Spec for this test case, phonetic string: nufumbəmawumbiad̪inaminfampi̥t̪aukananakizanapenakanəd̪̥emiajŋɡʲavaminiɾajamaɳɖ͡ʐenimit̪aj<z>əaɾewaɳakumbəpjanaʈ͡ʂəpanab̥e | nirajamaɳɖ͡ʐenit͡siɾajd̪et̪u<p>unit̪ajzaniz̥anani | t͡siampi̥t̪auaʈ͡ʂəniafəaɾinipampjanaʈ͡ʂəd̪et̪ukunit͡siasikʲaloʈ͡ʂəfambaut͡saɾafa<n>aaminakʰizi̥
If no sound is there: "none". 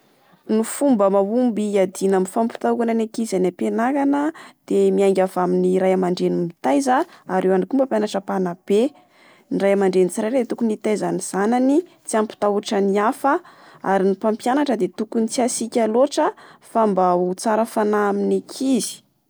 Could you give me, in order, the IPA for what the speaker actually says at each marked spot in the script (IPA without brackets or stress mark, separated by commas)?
z, k, n